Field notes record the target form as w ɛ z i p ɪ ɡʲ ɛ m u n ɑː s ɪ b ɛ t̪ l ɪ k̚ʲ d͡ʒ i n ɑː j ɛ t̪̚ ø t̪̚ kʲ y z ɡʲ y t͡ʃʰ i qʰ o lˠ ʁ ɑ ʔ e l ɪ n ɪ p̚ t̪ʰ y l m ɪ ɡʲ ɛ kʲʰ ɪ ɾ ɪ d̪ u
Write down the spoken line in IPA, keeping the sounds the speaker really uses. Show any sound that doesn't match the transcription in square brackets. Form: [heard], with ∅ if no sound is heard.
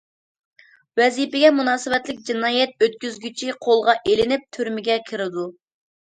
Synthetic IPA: w ɛ z i p ɪ ɡʲ ɛ m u n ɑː s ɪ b ɛ t̪ l ɪ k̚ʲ d͡ʒ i n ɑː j ɛ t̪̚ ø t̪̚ kʲ y z ɡʲ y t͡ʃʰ i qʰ o lˠ ʁ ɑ ʔ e l ɪ n ɪ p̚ t̪ʰ y [ɾ] m ɪ ɡʲ ɛ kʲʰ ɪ ɾ ɪ d̪ u